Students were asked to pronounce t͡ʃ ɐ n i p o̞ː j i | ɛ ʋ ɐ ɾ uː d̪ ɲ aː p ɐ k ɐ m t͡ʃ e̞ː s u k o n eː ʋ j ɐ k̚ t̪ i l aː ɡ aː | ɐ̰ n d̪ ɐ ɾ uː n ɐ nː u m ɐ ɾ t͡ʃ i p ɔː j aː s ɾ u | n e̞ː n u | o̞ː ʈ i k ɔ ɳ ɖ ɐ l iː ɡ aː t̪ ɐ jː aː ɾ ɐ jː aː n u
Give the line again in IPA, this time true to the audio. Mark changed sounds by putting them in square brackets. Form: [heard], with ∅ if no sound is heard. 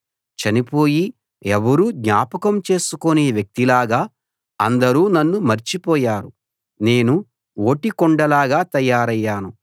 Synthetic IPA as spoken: t͡ʃ ɐ n i p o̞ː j i | ɛ ʋ ɐ ɾ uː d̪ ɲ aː p ɐ k ɐ m t͡ʃ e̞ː s u k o n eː ʋ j ɐ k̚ t̪ i l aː ɡ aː | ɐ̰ n d̪ ɐ ɾ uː n ɐ nː u m ɐ ɾ t͡ʃ i p ɔː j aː [∅] ɾ u | n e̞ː n u | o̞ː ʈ i k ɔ ɳ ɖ ɐ l [aː] ɡ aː t̪ ɐ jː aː ɾ ɐ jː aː n u

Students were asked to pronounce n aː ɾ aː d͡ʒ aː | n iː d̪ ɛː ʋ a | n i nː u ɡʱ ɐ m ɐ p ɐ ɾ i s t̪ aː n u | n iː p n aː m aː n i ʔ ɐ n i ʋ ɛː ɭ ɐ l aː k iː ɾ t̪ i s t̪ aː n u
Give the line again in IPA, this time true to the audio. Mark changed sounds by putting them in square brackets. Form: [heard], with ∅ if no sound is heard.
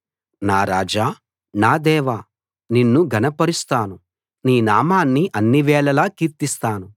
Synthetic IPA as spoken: n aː ɾ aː d͡ʒ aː | n [aː] d̪ ɛː ʋ a | n i nː u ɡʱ ɐ [n] ɐ p ɐ ɾ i s t̪ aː n u | n iː [∅] n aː m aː [nː] i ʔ ɐ [nː] i ʋ ɛː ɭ ɐ l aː k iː ɾ t̪ i s t̪ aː n u

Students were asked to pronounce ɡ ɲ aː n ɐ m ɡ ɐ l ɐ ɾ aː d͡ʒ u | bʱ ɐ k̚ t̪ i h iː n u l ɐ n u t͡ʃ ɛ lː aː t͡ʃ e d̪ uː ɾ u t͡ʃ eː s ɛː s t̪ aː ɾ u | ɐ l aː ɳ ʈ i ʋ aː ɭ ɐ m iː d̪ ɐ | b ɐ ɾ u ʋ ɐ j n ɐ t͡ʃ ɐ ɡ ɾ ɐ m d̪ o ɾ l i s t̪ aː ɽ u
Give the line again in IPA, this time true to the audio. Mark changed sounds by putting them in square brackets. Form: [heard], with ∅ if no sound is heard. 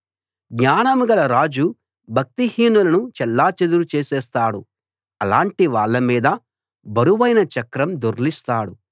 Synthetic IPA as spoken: ɡ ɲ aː n ɐ m ɡ ɐ l ɐ ɾ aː d͡ʒ u | bʱ ɐ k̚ t̪ i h iː n u l ɐ n u t͡ʃ ɛ lː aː t͡ʃ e d̪ [u] ɾ u t͡ʃ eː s ɛː s t̪ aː [ɽ] u | ɐ l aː ɳ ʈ i ʋ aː [ɭː] ɐ m iː d̪ ɐ | b ɐ ɾ u ʋ ɐ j n ɐ t͡ʃ ɐ [k] ɾ ɐ m d̪ o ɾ l i s t̪ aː ɽ u

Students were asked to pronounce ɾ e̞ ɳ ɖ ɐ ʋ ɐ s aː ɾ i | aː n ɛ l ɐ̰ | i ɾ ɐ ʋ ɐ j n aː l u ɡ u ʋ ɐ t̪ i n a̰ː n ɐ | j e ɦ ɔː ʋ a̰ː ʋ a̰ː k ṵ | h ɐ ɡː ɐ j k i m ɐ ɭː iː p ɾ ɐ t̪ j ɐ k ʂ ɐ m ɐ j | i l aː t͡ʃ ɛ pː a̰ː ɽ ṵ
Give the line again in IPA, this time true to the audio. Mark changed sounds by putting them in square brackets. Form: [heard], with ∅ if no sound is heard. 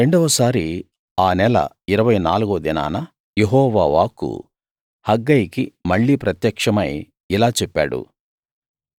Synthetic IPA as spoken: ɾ e̞ ɳ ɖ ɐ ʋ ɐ s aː ɾ i | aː n ɛ l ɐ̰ | i ɾ ɐ ʋ ɐ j n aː l u ɡ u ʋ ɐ [d̪] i n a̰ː n ɐ | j e ɦ ɔː ʋ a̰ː ʋ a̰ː k ṵ | h ɐ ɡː ɐ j k i m ɐ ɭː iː p ɾ ɐ t̪ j ɐ k ʂ ɐ m ɐ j | i l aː t͡ʃ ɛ pː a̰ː ɽ ṵ

